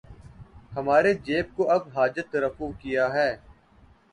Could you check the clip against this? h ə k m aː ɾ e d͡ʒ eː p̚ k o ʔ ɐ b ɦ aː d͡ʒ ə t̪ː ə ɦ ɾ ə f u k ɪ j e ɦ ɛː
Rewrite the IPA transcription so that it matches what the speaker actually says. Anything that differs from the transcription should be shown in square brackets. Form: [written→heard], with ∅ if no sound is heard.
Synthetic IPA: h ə [k→∅] m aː ɾ e d͡ʒ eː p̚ k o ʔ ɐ b ɦ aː d͡ʒ ə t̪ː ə [ɦ→∅] ɾ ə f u k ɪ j [e→a] ɦ ɛː